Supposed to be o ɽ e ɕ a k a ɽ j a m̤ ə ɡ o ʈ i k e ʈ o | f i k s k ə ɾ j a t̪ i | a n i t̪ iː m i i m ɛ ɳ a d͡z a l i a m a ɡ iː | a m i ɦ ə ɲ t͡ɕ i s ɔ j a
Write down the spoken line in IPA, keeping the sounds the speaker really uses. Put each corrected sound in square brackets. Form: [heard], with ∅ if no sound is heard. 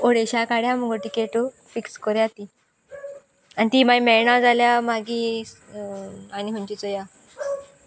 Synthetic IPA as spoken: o ɽ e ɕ a k a ɽ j a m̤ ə ɡ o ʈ i k e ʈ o | f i k s k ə ɾ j a t̪ i | a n i t̪ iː m [a] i m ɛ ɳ a d͡z a l [j] a m a ɡ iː | a [n] i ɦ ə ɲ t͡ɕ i [t͡s] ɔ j a

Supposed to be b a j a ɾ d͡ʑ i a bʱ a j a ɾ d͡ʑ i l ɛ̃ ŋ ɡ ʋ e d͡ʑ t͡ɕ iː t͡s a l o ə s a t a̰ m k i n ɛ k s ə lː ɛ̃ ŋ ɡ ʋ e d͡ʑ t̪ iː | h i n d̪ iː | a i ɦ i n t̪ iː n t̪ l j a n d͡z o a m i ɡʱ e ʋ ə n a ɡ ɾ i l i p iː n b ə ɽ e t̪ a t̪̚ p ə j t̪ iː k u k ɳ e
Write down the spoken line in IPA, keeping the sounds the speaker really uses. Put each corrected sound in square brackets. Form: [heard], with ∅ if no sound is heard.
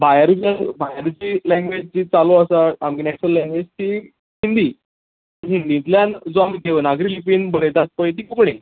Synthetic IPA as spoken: b a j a ɾ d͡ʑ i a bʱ a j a ɾ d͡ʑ i l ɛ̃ ŋ ɡ ʋ e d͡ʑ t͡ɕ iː t͡s a l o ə s a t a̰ m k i n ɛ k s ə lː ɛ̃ ŋ ɡ ʋ e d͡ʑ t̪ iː | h i n d̪ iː | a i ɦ i n [d̪] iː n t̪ l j a n d͡z o a m i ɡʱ e ʋ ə n a ɡ ɾ i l i p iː n b ə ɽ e t̪ a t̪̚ p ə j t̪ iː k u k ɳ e

